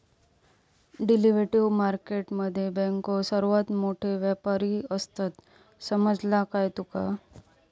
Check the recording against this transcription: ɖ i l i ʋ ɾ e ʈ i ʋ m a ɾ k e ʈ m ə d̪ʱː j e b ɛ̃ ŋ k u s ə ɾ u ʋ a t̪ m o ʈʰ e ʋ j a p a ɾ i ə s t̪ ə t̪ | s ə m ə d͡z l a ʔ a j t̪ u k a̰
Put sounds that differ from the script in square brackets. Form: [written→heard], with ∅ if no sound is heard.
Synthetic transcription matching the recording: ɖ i l i ʋ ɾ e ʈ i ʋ m a ɾ k e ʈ m ə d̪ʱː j e b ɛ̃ ŋ k [u→o] s ə ɾ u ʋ a t̪ m o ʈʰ e ʋ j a p a ɾ i ə s t̪ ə t̪ | s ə m ə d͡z l a [ʔ→k] a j t̪ u k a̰